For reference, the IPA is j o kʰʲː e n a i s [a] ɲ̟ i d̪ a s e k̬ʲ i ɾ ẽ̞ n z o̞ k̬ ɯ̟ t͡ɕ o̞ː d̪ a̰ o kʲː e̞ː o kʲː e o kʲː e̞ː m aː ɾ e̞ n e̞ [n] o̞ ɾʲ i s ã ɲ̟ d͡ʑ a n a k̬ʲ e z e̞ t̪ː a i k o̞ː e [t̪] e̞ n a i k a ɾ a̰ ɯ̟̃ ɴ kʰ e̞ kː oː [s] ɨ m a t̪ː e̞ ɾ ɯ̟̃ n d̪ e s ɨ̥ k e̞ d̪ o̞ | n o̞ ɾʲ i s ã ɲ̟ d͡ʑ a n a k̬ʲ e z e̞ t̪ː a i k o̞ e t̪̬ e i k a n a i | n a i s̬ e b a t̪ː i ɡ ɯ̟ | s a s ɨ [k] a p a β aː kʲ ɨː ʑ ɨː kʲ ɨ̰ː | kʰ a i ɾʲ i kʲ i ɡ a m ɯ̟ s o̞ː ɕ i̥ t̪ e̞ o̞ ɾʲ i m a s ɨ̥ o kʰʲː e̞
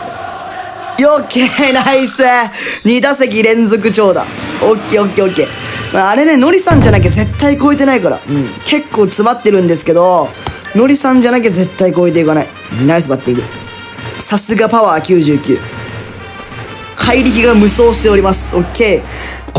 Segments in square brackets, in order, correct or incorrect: incorrect: e, correct, correct, incorrect: t͡s, incorrect: ɡ

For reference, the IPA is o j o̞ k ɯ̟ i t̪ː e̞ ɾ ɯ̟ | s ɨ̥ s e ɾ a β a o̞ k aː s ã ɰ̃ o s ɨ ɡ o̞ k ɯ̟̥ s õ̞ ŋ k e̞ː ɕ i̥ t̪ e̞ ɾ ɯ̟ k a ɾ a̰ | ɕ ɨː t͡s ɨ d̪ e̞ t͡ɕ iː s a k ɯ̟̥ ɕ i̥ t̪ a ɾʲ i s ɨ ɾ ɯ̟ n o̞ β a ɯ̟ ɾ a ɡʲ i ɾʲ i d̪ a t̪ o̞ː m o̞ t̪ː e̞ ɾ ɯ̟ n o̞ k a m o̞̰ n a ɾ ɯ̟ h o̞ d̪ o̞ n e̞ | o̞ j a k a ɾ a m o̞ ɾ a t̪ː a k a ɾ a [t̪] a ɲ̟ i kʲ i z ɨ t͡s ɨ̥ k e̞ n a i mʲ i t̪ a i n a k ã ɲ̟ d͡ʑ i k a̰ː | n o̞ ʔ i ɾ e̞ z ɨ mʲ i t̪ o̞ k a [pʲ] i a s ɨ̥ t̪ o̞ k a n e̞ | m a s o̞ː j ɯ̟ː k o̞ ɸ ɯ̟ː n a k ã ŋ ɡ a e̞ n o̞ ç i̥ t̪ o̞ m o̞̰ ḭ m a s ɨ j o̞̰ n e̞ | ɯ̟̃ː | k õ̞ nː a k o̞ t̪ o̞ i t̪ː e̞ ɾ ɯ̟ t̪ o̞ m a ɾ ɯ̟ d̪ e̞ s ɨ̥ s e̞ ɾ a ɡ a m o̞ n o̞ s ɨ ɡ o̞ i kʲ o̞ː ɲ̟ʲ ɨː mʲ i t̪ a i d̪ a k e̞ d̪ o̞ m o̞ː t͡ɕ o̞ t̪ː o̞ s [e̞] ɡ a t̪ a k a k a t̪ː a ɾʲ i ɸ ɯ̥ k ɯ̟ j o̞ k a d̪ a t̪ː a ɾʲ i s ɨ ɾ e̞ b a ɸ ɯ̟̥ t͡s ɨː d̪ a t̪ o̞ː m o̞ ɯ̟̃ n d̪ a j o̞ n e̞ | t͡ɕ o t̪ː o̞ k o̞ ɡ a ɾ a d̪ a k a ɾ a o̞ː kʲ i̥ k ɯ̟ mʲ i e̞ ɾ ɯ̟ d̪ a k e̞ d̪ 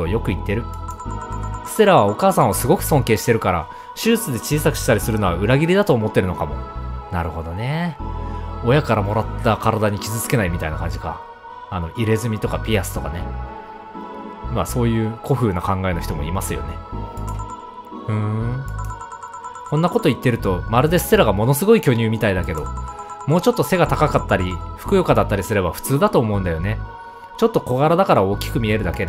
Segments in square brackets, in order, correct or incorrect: incorrect: d̪, correct, correct

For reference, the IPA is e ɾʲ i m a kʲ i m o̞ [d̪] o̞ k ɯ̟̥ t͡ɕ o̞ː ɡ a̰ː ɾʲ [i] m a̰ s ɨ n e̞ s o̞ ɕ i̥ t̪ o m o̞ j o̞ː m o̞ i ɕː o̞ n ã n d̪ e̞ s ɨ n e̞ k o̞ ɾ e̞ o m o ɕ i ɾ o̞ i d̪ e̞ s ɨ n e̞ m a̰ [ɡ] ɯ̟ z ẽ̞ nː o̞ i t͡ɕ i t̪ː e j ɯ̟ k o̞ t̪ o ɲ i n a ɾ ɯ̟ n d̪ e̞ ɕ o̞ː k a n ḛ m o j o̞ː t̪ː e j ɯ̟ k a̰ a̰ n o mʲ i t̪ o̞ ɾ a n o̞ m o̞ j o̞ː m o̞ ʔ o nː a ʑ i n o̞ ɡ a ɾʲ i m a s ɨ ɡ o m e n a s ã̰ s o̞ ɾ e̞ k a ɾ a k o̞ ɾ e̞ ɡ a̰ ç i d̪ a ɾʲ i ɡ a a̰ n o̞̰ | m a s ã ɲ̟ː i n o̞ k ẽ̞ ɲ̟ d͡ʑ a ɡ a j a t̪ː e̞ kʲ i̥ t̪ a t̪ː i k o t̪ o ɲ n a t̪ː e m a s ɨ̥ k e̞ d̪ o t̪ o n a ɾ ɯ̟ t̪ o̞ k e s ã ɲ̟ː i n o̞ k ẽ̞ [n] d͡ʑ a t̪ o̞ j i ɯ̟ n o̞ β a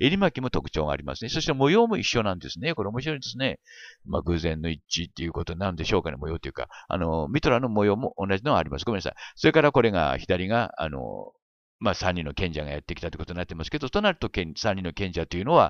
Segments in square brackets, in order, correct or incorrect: incorrect: t̪, correct, correct, incorrect: ɲ

